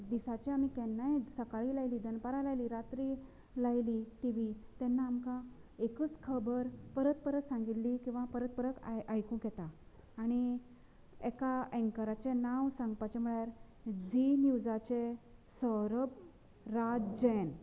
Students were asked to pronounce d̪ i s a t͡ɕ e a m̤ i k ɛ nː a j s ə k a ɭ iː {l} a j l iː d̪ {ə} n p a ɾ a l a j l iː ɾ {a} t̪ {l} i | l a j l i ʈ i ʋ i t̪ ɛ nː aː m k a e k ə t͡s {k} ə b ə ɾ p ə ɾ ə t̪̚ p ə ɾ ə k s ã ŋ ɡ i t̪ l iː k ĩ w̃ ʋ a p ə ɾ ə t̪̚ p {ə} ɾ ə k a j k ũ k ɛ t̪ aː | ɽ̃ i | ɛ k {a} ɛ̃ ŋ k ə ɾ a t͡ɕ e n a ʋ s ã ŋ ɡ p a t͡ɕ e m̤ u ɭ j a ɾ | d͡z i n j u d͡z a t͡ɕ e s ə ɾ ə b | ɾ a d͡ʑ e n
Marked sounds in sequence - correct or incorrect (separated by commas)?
correct, correct, correct, incorrect, incorrect, correct, correct